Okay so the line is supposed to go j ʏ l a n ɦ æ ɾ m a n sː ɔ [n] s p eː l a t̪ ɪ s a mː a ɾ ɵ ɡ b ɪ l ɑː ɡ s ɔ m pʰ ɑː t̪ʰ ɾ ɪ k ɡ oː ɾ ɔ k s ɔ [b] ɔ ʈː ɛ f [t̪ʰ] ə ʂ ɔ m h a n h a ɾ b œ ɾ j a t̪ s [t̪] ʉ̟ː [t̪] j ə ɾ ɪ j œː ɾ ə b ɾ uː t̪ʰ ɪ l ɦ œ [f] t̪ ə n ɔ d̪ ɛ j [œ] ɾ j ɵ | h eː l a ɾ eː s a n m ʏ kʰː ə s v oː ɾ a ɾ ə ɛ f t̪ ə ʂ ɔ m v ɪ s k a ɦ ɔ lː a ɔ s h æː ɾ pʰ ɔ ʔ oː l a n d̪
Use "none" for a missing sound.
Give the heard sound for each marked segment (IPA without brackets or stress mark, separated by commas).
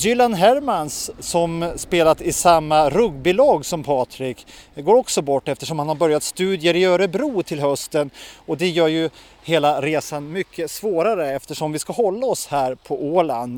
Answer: m, b, t̪, t̪, d̪, s, œː